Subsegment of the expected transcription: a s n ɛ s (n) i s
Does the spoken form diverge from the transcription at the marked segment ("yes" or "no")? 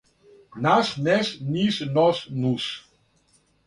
no